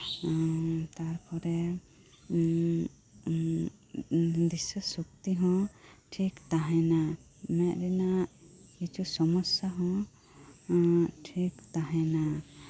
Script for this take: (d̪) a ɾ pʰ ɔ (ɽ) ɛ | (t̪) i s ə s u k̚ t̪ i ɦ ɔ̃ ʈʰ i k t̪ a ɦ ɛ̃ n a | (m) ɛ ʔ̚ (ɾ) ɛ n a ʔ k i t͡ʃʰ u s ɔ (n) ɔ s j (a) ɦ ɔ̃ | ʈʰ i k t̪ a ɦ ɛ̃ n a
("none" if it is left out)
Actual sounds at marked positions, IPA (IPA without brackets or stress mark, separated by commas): t̪, ɾ, d̪, m, ɾ, m, a